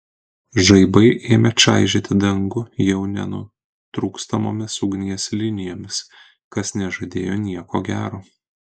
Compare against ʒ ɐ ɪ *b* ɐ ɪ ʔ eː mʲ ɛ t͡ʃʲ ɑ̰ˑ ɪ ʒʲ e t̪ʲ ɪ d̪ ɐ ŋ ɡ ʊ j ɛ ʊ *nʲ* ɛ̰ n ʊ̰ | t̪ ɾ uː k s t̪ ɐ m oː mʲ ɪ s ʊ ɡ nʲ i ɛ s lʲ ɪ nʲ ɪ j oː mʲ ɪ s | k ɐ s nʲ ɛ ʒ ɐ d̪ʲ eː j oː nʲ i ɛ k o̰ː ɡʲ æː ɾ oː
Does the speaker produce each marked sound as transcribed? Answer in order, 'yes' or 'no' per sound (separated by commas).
yes, yes